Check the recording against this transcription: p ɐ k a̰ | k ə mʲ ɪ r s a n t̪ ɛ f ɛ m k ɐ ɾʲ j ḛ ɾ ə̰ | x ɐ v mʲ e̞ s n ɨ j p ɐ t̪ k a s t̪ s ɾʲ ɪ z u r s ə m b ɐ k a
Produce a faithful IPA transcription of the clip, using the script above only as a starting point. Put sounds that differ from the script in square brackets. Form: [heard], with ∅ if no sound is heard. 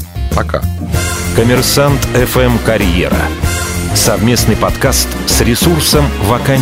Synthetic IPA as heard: p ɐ k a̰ | k ə mʲ ɪ r s a n t̪ ɛ f ɛ m k ɐ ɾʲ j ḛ ɾ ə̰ | [s] ɐ v mʲ e̞ s n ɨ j p ɐ t̪ k a s t̪ s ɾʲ ɪ [s] u r s ə m [v] ɐ k a